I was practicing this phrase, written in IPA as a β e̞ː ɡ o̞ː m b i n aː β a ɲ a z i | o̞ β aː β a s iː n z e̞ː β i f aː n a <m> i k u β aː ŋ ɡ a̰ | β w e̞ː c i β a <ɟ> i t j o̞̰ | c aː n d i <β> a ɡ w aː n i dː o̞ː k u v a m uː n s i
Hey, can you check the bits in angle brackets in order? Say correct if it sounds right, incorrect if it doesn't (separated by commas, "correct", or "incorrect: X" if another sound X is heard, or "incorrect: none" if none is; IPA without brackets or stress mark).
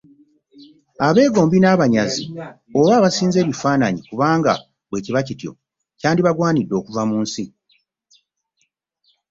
incorrect: ɲ, incorrect: c, correct